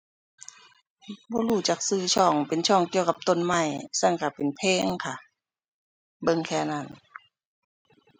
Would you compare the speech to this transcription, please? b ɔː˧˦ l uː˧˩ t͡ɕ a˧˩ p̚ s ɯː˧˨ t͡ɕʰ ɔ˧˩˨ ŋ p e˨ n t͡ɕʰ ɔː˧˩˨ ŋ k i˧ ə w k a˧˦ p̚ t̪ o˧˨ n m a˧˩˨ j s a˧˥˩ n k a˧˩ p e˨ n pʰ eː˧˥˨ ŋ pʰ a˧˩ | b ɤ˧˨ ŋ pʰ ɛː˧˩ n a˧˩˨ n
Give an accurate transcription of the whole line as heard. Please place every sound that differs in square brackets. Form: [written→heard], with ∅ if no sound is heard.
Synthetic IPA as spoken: b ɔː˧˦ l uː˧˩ t͡ɕ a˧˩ [p̚→k̚] s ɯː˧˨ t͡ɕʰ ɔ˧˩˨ ŋ p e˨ n t͡ɕʰ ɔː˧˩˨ ŋ k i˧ ə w k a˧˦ p̚ t̪ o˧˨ n m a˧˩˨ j s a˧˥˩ [n→ŋ] k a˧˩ p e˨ n pʰ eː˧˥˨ ŋ [pʰ→kʰ] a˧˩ | b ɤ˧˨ ŋ [pʰ→kʰ] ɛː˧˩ n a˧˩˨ n